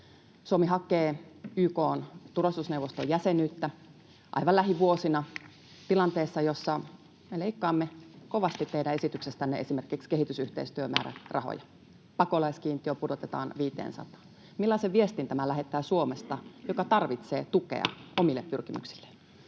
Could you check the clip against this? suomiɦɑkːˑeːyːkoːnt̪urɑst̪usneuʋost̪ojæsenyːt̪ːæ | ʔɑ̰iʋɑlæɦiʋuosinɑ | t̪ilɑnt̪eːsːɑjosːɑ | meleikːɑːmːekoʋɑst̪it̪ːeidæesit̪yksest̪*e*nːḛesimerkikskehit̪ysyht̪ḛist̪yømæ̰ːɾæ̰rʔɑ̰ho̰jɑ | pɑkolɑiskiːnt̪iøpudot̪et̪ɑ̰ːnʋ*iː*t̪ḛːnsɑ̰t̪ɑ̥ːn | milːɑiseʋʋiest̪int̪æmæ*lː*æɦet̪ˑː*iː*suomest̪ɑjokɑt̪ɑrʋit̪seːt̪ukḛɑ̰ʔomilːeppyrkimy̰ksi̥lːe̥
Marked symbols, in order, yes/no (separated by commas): no, yes, no, no